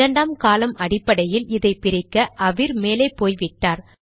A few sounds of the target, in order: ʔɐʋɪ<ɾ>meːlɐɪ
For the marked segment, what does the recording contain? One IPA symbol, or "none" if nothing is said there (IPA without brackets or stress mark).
ɾ